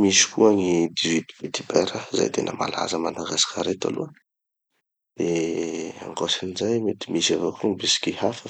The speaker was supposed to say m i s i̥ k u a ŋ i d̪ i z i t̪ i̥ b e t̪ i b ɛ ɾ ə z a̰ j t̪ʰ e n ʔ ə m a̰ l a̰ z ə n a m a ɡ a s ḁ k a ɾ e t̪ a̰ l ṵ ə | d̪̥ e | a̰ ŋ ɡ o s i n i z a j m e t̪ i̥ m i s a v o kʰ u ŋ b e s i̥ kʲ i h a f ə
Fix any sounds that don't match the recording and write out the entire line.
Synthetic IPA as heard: m i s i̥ k u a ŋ i d̪ i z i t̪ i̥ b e t̪ i b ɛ ɾ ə z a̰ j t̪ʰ e n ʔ ə m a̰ l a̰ z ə m a n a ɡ a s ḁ k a ɾ e t̪ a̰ l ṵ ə | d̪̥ e | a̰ ŋ ɡ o s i n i z a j m e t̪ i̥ m i s a v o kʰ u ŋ b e s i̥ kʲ i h a f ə